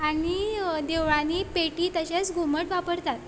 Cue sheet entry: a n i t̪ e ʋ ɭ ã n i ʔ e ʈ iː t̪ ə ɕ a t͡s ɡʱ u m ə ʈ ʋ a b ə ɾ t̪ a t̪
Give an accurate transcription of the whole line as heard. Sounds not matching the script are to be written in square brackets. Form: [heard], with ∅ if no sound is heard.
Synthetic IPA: a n i [d̪] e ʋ ɭ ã n i [p] e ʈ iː t̪ ə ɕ a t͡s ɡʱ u m ə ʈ ʋ a [p] ə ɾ t̪ a t̪